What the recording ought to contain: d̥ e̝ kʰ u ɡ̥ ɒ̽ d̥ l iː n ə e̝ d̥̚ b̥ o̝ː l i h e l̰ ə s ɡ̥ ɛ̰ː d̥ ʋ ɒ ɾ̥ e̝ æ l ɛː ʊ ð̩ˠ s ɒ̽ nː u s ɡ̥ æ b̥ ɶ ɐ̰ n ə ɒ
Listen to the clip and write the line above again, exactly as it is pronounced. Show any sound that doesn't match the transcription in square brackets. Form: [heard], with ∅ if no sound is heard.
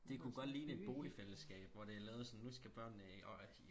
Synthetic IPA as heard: d̥ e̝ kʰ u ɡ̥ ɒ̽ d̥ l iː n ə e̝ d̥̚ b̥ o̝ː l i [f] e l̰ ə s ɡ̥ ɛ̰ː [b̥] ʋ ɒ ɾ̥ e̝ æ l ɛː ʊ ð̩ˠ s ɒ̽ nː u s ɡ̥ æ b̥ ɶ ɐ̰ n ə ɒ